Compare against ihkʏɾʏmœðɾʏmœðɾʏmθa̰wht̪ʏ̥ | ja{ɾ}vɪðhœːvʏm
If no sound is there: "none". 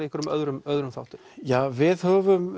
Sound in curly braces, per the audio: none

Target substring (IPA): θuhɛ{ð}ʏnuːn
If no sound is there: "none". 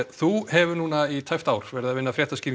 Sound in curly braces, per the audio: v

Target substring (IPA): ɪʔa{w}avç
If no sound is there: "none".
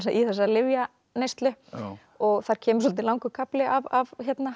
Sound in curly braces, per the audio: v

